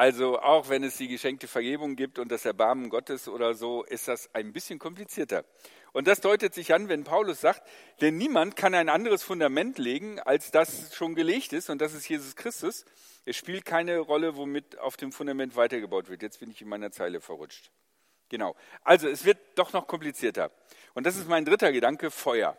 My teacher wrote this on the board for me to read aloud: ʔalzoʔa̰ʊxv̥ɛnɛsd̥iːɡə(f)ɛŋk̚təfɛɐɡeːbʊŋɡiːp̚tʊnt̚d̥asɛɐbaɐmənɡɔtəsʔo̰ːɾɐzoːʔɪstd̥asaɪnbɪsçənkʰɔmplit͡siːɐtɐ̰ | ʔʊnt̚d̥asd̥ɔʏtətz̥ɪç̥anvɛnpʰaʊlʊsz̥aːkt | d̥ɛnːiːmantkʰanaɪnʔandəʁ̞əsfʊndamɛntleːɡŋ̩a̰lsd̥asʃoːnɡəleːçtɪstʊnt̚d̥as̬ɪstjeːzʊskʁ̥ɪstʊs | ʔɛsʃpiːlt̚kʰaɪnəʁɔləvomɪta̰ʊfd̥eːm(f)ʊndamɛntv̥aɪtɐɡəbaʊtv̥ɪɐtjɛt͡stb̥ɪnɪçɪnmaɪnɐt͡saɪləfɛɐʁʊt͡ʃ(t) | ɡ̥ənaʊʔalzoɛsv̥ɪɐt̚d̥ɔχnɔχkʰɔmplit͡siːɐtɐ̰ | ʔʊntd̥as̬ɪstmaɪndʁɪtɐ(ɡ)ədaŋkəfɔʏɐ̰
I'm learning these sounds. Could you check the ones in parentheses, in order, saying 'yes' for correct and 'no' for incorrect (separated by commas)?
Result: no, yes, yes, yes